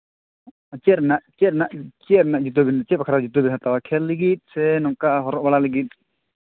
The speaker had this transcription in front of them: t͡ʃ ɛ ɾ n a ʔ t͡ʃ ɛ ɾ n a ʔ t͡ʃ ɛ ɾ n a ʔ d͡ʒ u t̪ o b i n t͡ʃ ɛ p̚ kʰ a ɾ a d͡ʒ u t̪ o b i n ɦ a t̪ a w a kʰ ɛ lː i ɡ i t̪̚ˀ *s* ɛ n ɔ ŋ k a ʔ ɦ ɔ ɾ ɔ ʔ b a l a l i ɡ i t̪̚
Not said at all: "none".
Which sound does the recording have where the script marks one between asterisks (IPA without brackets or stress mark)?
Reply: s